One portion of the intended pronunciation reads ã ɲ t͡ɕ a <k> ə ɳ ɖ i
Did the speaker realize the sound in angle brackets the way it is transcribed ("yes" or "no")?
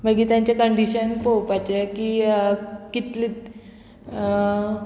yes